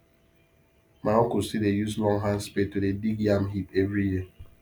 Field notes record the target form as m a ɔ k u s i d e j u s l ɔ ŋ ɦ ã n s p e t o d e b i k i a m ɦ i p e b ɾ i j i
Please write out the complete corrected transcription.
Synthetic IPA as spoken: m a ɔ k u s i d e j u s l ɔ ŋ ɦ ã n s p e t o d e d i ɡ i a m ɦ i p e v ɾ i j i